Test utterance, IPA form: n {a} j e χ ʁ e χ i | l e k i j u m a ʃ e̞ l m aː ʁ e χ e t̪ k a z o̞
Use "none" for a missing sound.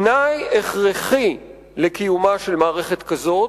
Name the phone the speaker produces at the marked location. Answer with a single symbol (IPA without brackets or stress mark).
a